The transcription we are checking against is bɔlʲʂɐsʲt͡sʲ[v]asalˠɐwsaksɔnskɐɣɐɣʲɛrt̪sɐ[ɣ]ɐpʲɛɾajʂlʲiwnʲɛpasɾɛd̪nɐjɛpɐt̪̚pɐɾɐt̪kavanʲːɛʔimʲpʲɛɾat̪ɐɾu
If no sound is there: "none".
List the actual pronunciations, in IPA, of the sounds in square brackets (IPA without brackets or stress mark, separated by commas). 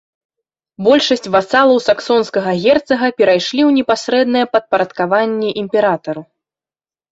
v, ɣ